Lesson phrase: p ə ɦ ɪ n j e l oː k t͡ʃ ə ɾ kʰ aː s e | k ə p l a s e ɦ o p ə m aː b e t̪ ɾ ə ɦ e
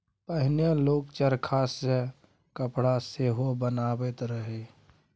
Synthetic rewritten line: p ə ɦ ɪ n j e l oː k t͡ʃ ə ɾ kʰ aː s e | k ə p ɽ a s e ɦ o b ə n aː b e t̪ ɾ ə ɦ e